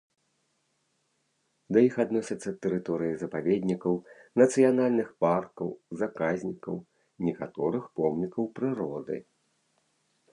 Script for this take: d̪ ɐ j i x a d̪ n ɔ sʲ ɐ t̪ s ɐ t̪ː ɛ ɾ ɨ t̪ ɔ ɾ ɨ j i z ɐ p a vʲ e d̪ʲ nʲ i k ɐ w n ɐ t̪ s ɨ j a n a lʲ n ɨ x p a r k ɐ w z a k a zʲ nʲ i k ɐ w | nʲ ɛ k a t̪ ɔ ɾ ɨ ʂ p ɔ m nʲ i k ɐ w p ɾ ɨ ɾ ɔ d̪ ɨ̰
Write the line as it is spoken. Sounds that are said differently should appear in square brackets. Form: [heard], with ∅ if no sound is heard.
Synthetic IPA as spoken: d̪ ɐ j i x a d̪ n ɔ sʲ ɐ t̪ [sː] ɐ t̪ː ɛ ɾ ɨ t̪ ɔ ɾ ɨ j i z ɐ p a vʲ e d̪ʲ nʲ i k ɐ w n ɐ t̪ s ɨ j a n a lʲ n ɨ x p a r k ɐ w z a k a zʲ nʲ i k ɐ w | nʲ ɛ k a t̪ ɔ ɾ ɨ [x] p ɔ m nʲ i k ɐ w p ɾ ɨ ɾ ɔ d̪ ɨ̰